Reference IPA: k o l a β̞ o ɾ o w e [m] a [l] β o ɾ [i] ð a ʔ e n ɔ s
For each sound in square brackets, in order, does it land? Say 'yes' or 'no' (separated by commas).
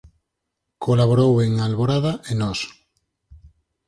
no, yes, no